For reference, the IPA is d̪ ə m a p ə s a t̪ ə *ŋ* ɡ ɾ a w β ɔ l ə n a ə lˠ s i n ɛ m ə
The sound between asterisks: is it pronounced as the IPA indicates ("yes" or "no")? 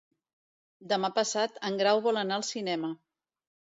yes